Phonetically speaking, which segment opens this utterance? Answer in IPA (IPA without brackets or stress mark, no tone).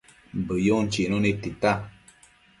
b